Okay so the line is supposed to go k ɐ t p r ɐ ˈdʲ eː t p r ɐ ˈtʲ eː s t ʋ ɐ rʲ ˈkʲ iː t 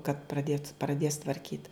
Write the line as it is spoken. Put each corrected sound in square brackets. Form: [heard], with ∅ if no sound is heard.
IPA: k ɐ t p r ɐ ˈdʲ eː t p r ɐ [ˈdʲ] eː s t ʋ ɐ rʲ ˈkʲ iː t